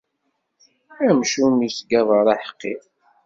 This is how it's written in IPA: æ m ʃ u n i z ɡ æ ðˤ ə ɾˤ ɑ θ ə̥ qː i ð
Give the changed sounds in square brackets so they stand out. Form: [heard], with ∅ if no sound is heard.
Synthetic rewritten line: æ m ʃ u [m] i [s] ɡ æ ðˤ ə ɾˤ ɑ [ħ] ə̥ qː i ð

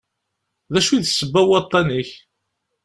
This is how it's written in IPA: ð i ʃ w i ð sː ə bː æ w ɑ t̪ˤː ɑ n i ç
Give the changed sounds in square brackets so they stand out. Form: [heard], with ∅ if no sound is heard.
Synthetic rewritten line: ð [æ] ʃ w i ð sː ə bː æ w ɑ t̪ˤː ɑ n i ç

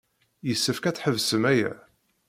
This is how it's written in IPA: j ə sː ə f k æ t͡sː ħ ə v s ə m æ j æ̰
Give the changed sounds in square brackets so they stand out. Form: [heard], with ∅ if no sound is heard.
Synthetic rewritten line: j ə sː ə f k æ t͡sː ħ ə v s ə m æ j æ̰

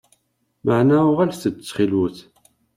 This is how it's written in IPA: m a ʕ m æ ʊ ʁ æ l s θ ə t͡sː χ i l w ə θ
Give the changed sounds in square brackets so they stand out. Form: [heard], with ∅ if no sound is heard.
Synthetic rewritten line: m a ʕ [n] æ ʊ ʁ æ l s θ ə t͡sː χ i l w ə θ

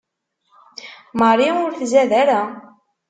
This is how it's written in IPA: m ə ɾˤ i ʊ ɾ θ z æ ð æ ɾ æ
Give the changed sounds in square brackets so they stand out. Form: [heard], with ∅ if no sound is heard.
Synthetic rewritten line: m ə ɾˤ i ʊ ɾ θ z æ ð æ ɾ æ

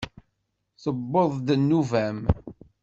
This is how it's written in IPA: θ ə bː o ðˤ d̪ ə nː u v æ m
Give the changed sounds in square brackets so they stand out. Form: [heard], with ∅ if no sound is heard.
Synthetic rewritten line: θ ə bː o ðˤ d̪ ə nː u v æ m

